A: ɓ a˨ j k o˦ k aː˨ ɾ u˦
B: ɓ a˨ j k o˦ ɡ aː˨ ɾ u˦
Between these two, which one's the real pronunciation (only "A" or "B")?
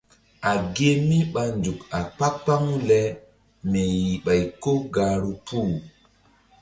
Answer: B